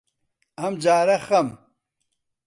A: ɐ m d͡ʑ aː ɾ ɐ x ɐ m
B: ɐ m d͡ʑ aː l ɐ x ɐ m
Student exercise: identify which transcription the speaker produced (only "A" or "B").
A